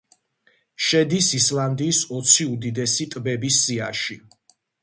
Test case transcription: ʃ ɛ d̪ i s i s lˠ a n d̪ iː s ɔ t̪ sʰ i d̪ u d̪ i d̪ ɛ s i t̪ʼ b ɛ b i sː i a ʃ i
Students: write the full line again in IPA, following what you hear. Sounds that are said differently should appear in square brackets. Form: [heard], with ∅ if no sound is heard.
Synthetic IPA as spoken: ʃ ɛ d̪ i s i s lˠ a n d̪ iː s ɔ t̪ sʰ i [∅] u d̪ i d̪ ɛ s i t̪ʼ b ɛ b i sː i a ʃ i